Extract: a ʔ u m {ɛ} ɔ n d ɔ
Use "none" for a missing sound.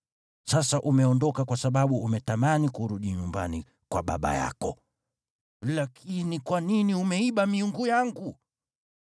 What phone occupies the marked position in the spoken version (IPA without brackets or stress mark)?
ɛ